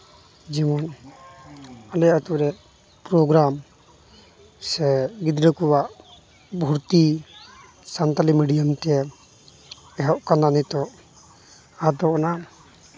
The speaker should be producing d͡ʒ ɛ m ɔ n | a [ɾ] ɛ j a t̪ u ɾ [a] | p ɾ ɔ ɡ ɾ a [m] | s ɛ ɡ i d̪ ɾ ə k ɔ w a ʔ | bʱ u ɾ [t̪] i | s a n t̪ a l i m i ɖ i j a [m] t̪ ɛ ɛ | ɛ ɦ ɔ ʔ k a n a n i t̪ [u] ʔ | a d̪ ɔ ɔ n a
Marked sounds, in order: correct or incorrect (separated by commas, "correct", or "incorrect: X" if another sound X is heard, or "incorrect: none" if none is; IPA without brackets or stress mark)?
incorrect: l, incorrect: ɛ, correct, correct, correct, incorrect: ɔ